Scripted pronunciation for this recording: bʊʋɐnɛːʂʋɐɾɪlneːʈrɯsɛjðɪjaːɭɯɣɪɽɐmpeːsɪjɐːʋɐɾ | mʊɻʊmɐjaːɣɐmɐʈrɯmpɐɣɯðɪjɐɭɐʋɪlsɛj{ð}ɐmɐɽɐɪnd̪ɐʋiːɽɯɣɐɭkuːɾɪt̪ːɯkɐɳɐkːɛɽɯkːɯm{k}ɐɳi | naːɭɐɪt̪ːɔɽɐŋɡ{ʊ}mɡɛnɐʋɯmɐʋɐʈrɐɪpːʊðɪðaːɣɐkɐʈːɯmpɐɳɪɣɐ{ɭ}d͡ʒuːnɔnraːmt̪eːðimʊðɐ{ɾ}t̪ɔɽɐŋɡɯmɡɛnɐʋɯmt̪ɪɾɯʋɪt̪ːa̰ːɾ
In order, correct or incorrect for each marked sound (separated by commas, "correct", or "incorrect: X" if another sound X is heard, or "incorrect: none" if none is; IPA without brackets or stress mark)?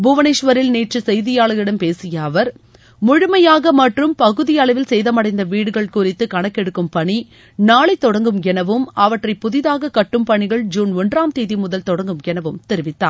correct, incorrect: p, incorrect: ɯ, correct, incorrect: l